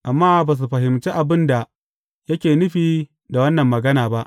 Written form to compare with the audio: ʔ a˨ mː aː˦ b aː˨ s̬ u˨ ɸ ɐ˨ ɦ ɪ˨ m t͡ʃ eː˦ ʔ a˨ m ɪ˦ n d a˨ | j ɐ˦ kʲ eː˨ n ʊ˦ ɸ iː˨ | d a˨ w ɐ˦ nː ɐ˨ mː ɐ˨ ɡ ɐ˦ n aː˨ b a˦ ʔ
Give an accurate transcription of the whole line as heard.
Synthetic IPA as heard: ʔ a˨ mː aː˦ b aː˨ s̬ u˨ ɸ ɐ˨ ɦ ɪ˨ m t͡ʃ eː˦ ʔ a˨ b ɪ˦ n d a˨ | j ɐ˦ kʲ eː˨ n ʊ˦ ɸ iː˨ | d a˨ w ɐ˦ nː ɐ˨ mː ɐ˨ ɡ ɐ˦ n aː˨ b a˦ ʔ